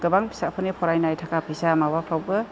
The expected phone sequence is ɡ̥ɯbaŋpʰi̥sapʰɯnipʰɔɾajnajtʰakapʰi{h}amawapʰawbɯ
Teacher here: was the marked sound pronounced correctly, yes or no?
no